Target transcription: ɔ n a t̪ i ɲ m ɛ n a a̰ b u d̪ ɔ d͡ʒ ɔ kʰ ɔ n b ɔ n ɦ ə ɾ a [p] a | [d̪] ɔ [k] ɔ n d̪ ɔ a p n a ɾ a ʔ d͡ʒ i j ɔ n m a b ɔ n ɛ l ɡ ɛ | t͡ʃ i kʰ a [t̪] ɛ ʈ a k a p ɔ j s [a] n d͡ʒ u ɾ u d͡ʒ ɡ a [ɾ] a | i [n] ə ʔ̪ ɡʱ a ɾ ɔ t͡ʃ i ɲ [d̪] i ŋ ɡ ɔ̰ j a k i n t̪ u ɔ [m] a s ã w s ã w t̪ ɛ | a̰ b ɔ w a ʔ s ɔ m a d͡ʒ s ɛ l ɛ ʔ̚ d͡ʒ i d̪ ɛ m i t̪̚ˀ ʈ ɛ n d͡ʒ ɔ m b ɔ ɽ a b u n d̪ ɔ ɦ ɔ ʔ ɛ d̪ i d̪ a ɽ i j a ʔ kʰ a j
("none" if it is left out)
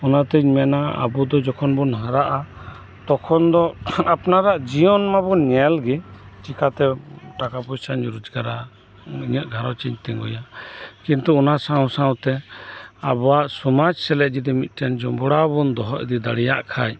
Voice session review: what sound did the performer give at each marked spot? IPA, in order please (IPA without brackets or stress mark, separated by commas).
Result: ʔ, t̪, kʰ, t̪, a, ɾ, ɲ, t̪, n